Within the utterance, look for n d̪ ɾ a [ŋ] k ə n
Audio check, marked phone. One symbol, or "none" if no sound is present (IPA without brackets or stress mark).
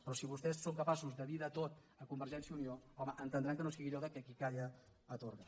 ŋ